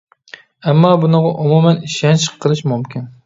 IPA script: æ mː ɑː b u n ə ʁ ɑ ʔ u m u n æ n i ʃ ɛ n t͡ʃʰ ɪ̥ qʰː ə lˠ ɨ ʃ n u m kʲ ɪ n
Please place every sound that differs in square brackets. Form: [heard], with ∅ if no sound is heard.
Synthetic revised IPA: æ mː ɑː b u n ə ʁ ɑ ʔ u m u [m] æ n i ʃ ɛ n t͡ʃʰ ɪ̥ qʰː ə lˠ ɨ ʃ [m] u m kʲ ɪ n